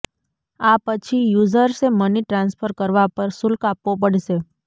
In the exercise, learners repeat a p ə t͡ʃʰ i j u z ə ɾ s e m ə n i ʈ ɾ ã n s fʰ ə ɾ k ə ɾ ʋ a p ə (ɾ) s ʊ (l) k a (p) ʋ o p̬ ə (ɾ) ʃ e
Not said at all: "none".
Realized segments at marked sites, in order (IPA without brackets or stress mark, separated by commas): ɾ, l, p, ɽ